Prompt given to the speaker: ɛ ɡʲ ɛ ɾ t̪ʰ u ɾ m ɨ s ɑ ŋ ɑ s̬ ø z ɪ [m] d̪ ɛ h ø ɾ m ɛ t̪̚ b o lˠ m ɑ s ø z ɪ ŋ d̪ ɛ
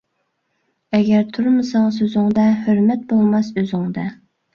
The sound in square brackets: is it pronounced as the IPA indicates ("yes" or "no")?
no